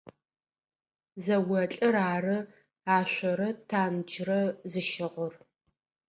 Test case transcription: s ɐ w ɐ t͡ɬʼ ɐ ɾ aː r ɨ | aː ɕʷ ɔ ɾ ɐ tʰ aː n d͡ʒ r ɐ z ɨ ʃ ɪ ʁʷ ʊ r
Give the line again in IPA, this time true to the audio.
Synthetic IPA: z ɐ w ɐ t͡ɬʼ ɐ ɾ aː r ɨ | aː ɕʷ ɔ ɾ ɐ tʰ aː n d͡ʒ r ɐ z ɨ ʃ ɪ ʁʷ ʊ r